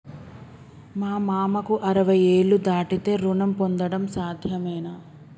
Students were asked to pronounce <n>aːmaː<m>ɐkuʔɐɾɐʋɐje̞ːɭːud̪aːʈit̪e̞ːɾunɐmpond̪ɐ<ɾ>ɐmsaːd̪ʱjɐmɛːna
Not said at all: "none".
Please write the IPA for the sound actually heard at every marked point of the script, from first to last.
m, m, ɽ

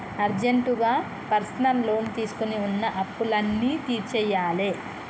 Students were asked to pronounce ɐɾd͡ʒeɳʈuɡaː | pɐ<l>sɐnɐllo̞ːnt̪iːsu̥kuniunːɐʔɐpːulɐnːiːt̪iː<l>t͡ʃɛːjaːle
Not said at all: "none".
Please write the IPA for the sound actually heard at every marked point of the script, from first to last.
ɾ, ɾ

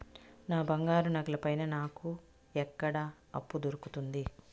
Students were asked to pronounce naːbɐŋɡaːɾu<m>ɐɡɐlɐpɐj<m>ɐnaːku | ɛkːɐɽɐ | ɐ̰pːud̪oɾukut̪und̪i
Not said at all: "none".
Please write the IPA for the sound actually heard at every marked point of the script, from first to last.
n, n

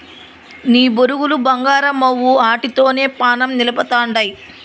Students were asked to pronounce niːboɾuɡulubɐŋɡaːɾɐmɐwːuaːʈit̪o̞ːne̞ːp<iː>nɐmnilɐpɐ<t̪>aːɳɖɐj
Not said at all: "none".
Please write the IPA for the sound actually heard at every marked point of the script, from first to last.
aː, t̪

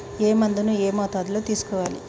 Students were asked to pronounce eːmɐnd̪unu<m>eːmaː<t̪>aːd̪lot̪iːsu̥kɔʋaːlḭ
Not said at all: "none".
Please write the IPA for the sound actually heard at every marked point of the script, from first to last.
none, t̪

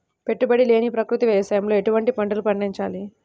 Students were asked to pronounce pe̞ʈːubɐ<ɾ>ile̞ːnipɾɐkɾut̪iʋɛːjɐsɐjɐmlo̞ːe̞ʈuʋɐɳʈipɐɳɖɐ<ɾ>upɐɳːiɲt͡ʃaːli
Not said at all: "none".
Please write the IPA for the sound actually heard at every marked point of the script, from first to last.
ɽ, l

